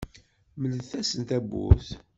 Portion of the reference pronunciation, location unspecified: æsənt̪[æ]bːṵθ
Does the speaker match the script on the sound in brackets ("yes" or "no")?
yes